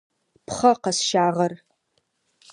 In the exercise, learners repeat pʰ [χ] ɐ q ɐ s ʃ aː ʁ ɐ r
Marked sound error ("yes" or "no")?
no